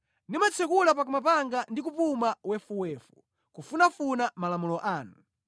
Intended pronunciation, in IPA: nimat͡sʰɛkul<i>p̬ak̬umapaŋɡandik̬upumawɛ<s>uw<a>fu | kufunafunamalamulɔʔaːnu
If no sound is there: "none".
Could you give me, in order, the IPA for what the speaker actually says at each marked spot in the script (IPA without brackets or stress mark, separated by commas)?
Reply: a, f, ɛ